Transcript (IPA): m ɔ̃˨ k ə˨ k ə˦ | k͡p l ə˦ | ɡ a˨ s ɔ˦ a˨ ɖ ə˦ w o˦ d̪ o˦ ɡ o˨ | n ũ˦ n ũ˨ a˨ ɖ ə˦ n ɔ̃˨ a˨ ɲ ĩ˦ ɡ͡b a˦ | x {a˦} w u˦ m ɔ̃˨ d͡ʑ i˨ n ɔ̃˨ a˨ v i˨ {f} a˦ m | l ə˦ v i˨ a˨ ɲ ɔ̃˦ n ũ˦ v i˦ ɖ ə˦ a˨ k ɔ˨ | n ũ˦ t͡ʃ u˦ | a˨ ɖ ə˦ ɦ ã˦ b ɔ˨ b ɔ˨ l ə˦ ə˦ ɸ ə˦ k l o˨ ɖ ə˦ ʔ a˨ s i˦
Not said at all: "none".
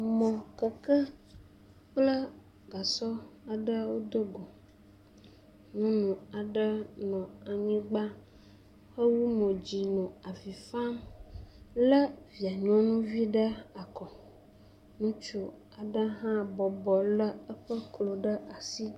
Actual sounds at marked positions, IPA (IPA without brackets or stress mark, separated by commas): ə˦, f